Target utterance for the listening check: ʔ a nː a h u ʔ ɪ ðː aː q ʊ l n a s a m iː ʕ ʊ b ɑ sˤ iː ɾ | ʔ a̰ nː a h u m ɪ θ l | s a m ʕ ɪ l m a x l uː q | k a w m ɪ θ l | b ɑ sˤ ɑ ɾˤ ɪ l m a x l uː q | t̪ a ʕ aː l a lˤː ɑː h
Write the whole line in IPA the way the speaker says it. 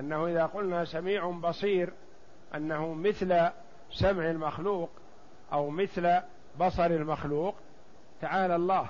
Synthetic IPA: ʔ a nː a h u ʔ ɪ ð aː q ʊ l n a s a m iː ʕ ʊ b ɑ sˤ iː ɾ | ʔ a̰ nː a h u m ɪ θ l | s a m ʕ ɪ l m a x l uː q | ʔ a w m ɪ θ l | b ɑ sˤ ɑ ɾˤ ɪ l m a x l uː q | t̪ a ʕ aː l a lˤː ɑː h